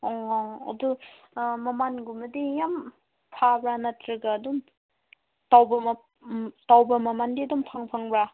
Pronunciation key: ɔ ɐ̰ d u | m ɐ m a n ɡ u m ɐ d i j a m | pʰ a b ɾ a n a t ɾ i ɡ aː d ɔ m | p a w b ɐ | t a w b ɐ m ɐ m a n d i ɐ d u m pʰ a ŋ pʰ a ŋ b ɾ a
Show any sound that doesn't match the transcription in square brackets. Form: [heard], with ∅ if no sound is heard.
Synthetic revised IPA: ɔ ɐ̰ d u | m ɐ m a n ɡ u m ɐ d i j a m | pʰ a b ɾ a n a t ɾ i ɡ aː d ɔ m | [t] a w b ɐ | t a w b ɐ m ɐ m a n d i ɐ d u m pʰ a ŋ pʰ a ŋ b ɾ a